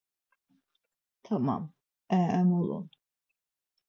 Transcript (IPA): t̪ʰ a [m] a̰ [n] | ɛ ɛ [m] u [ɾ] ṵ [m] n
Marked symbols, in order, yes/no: yes, no, yes, no, no

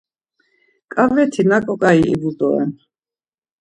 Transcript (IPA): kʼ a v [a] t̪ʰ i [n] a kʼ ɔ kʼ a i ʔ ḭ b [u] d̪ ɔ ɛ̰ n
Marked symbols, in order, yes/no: no, yes, yes

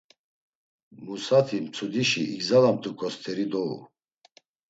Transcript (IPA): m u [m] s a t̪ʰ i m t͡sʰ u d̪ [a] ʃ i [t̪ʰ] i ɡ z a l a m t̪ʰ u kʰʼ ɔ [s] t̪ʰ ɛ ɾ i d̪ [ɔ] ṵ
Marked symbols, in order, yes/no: no, no, no, yes, yes

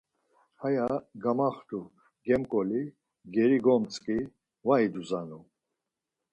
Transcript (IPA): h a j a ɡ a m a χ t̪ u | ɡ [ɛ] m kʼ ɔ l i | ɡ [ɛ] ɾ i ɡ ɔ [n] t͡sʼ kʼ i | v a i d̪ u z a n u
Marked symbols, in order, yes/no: yes, yes, no

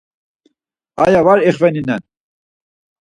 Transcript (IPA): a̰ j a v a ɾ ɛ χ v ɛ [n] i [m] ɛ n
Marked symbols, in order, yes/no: yes, no

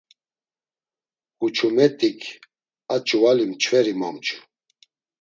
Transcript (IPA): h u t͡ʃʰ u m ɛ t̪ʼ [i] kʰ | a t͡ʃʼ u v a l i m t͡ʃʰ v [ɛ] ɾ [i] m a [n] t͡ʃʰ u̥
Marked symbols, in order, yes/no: yes, yes, yes, no

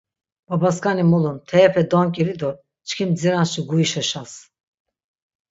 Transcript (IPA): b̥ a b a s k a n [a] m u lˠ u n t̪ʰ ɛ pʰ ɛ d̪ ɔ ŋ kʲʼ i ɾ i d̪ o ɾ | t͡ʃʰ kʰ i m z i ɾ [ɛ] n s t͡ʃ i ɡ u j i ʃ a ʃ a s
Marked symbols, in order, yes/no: no, no

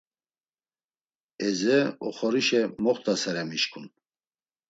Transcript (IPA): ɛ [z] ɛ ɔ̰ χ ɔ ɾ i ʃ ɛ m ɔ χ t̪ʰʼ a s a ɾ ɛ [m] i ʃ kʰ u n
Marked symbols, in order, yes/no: yes, yes

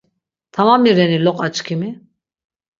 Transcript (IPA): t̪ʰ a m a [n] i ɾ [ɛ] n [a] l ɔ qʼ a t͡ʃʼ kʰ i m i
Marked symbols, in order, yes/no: no, yes, no

